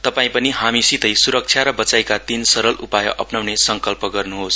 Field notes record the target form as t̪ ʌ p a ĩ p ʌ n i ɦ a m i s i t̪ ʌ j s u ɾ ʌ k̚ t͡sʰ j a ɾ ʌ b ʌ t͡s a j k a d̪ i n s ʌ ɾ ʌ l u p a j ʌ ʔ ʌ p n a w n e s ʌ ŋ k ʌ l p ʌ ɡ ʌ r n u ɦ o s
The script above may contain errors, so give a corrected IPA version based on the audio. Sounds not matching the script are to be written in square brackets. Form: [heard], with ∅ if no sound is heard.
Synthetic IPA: t̪ ʌ p a ĩ p ʌ n i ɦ a m i s i t̪ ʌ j s u ɾ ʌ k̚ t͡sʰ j a ɾ ʌ b ʌ t͡s a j k a [t̪] i n s ʌ ɾ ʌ l u p a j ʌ ʔ ʌ p n a w n e s ʌ ŋ k ʌ l p ʌ ɡ ʌ r n u ɦ o s